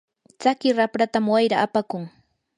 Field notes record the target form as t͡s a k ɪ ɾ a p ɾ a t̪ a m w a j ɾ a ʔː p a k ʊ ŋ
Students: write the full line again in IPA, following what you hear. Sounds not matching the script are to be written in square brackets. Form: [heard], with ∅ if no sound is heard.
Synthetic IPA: t͡s a k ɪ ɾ a p ɾ a t̪ a m w a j ɾ a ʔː p a k ʊ ŋ